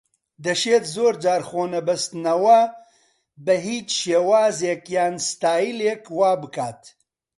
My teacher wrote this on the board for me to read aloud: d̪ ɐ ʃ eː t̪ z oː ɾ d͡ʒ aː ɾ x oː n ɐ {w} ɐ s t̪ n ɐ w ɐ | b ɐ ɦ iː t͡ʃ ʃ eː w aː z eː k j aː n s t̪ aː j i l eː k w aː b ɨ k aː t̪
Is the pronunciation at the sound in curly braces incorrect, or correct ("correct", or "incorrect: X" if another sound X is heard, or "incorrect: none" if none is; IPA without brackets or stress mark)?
incorrect: b